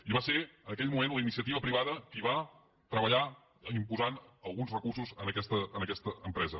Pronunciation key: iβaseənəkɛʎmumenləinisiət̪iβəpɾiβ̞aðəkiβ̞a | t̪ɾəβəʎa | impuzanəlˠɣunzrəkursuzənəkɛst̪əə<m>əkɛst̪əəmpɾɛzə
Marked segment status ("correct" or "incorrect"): incorrect